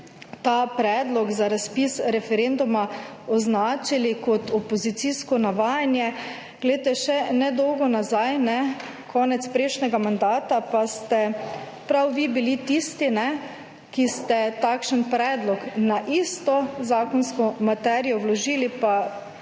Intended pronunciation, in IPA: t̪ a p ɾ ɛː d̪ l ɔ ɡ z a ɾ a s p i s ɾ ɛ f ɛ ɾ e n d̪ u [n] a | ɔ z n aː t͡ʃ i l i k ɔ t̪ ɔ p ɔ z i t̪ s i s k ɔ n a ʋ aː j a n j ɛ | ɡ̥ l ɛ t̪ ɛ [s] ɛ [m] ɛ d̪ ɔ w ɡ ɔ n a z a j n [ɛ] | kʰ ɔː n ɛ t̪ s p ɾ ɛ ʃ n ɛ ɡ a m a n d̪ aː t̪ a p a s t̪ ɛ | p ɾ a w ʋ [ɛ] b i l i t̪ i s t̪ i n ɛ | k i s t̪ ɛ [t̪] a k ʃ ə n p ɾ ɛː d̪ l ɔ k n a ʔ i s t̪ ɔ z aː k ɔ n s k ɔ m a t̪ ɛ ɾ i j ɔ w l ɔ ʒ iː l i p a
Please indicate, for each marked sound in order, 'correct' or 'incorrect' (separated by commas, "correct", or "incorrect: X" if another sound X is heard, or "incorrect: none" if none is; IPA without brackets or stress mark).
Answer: incorrect: m, incorrect: ʃ, incorrect: n, correct, incorrect: i, correct